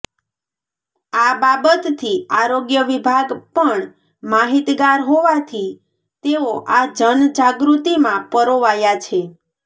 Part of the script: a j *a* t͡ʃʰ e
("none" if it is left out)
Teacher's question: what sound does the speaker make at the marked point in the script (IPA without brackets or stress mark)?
a